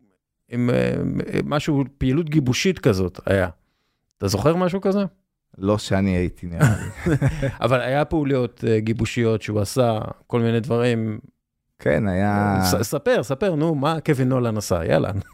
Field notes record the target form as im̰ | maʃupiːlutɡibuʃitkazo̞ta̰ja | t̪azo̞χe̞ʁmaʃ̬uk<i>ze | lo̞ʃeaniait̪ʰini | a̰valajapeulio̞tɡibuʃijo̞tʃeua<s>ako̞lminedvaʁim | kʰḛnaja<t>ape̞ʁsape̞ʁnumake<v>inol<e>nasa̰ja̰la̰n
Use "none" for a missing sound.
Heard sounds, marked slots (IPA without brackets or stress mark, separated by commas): a, s, s, v, a